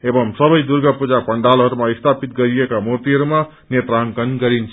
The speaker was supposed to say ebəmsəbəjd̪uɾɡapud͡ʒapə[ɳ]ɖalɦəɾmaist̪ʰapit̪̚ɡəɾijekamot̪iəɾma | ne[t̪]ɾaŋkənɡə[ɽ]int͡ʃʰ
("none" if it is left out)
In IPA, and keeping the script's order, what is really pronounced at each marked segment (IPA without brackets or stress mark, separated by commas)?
ɳ, t̪, ɾ